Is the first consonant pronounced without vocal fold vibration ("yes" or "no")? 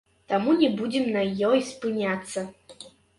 yes